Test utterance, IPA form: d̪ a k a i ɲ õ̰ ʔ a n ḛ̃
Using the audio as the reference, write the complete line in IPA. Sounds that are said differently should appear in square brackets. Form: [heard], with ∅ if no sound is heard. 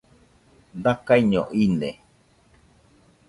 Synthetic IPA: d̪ a k a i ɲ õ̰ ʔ [i] n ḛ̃